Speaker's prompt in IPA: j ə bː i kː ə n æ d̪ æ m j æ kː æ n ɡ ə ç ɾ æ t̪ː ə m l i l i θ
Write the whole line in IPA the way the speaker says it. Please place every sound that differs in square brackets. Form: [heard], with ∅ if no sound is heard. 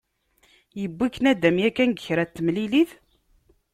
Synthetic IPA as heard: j ə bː i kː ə n æ d̪ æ m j æ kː æ n ɡ ə ç ɾ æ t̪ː ə m l i l i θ